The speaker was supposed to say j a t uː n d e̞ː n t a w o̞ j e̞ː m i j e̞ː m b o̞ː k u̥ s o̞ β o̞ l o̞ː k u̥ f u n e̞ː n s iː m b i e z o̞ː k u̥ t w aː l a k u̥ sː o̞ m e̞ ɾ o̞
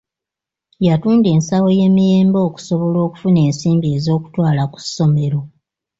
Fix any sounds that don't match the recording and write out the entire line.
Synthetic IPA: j a t uː n d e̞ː n s a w o̞ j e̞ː m i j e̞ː m b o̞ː k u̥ s o̞ β o̞ l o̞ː k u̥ f u n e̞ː n s iː m b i e z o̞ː k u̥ t w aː l a k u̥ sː o̞ m e̞ ɾ o̞